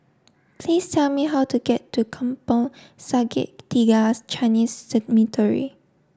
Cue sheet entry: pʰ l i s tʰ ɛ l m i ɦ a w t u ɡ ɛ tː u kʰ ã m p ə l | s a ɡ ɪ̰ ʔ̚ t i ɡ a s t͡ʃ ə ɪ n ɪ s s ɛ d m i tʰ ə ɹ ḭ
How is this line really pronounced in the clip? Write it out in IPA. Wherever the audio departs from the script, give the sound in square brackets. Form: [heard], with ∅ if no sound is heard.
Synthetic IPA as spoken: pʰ l i s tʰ ɛ l m i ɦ a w t u ɡ ɛ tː u kʰ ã m p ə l | s a ɡ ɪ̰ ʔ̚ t i ɡ a s t͡ʃ [a] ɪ n [i] s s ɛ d m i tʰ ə ɹ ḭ